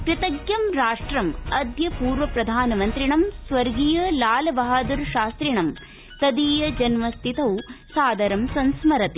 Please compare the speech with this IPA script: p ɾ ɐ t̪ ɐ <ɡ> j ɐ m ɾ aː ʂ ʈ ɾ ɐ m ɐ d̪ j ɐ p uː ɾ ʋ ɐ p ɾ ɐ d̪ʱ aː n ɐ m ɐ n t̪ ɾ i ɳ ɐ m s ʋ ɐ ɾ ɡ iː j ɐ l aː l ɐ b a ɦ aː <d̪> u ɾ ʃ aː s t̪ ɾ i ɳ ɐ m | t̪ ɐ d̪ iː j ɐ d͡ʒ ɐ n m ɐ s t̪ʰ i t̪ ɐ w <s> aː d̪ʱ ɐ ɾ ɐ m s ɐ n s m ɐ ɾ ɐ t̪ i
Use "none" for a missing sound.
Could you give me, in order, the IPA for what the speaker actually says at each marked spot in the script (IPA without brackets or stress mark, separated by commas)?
ɡ, d̪, s